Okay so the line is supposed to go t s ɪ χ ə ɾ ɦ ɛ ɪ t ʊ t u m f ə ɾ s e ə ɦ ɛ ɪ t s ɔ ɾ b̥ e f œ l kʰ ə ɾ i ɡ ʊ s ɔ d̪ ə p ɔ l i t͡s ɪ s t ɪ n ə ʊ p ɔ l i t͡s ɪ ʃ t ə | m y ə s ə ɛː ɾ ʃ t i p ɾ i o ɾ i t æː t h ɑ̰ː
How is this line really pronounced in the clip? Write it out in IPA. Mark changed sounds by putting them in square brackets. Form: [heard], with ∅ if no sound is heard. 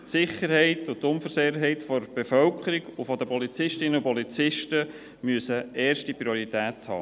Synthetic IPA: t s ɪ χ ə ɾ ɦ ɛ ɪ t ʊ t [ʊ] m f ə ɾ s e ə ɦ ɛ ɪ t [f] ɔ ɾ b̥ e f œ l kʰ ə ɾ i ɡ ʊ [f] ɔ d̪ ə p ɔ l i t͡s ɪ [ʃ] t ɪ n ə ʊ p ɔ l i t͡s ɪ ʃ t ə | m y ə s ə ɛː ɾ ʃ t i p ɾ i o ɾ i t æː t h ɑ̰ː